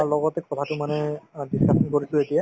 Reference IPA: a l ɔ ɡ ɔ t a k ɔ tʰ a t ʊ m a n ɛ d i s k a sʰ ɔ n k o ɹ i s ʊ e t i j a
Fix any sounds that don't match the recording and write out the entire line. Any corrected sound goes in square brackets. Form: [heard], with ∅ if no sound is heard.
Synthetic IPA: a l ɔ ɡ ɔ t [ɛ] k ɔ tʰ a t ʊ m a n ɛ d i s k a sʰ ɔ n k o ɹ i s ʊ e t i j a